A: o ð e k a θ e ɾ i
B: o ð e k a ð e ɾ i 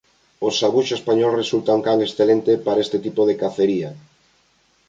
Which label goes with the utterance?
A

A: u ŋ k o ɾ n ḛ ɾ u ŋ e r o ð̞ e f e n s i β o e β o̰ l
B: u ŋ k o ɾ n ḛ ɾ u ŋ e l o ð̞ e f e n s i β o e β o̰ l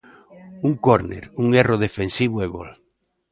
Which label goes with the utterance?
A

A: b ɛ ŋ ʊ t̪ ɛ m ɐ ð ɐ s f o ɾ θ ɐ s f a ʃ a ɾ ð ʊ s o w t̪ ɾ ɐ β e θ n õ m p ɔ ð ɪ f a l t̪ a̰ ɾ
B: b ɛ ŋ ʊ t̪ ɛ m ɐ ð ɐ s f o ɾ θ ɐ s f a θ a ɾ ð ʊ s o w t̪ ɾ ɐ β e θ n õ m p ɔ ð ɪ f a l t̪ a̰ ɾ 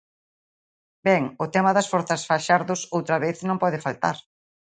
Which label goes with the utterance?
A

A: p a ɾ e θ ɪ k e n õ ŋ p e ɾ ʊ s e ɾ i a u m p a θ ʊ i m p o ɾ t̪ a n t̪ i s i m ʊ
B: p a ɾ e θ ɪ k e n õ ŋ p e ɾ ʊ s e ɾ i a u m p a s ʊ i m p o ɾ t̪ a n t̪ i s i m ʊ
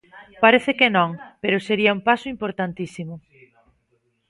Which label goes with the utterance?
B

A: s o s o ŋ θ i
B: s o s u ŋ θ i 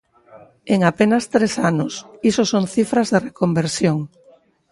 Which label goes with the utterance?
A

